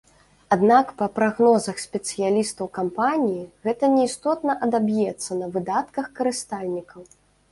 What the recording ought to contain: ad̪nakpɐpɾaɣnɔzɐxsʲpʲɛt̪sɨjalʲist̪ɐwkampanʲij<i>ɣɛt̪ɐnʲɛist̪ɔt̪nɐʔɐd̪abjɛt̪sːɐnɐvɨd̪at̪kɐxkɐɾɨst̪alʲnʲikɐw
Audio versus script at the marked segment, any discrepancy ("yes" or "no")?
no